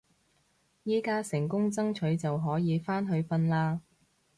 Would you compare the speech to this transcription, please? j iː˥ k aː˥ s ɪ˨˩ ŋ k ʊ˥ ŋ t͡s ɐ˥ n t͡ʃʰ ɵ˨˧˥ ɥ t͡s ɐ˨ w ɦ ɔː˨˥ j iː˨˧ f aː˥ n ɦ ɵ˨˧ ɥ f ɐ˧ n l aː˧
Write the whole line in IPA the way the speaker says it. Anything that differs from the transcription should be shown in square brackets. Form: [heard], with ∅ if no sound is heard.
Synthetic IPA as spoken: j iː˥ k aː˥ s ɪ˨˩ ŋ k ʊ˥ ŋ t͡s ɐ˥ [ŋ] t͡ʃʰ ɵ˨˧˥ ɥ t͡s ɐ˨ w ɦ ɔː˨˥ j iː˨˧ f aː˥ n ɦ ɵ˨˧ ɥ f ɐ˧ n l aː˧